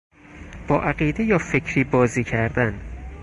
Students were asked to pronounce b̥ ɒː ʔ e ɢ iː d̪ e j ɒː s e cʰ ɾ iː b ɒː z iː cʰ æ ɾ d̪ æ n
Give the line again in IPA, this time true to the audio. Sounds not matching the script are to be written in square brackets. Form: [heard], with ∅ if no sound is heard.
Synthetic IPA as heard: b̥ ɒː ʔ [æ] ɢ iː d̪ e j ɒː [f] e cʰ ɾ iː b ɒː z iː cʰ æ ɾ d̪ æ n

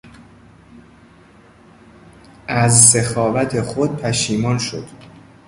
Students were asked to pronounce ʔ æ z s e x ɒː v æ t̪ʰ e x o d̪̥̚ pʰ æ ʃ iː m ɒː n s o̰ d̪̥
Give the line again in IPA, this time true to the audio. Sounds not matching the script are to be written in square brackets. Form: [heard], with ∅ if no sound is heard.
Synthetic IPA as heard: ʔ æ z s e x ɒː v æ t̪ʰ e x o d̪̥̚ pʰ æ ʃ iː m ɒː n [ʃ] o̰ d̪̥

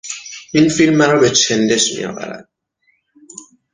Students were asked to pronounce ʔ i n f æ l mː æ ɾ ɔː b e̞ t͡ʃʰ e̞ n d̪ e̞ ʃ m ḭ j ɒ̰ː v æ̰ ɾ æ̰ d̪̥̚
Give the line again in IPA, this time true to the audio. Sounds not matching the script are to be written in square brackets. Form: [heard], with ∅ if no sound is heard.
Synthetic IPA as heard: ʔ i n f [i] l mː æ ɾ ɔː b e̞ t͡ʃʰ e̞ n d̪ e̞ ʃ m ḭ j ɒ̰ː v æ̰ ɾ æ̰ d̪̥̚

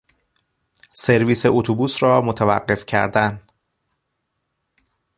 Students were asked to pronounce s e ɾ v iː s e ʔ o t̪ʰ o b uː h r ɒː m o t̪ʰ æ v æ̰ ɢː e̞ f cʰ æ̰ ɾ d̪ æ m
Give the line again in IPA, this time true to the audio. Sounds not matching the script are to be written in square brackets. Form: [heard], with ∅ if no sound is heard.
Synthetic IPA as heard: s e ɾ v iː s e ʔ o t̪ʰ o b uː [s] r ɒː m o t̪ʰ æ v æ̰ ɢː e̞ f cʰ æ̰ ɾ d̪ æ [n]

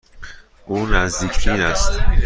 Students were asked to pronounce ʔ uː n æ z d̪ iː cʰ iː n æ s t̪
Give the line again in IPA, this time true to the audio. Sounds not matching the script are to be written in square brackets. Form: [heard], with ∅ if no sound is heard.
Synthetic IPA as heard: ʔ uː n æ z d̪ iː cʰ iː n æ s t̪

